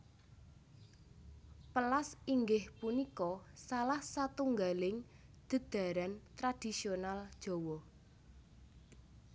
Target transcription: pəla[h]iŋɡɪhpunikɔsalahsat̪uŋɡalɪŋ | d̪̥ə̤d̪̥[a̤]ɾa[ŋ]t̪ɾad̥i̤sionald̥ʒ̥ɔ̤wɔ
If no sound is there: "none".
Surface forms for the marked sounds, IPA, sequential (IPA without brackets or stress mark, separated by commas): s, a̤, n